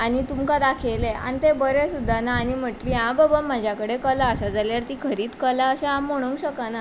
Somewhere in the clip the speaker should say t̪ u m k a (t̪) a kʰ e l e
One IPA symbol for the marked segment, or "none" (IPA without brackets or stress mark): d̪